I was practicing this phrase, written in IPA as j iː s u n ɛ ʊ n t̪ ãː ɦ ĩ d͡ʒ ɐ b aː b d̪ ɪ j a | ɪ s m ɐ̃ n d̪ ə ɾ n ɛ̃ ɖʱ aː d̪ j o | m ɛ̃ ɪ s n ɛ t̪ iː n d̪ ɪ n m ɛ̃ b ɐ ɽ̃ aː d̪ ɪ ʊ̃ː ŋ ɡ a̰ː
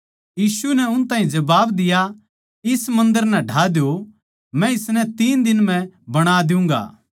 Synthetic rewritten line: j iː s u n ɛ ʊ n t̪ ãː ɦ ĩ d͡ʒ ɐ b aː b d̪ ɪ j a | ɪ s m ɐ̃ n d̪ ə ɾ n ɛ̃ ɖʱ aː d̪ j o | m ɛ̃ ɪ s n ɛ t̪ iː n d̪ ɪ n m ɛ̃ b ɐ ɽ̃ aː d̪ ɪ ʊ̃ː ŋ ɡ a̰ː